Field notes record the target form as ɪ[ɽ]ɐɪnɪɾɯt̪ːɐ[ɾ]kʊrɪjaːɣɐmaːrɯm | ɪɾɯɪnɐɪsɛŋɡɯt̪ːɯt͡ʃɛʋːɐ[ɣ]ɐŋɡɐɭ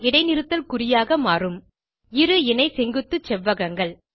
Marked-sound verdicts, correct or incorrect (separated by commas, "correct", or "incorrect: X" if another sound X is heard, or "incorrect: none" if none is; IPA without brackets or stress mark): correct, incorrect: l, correct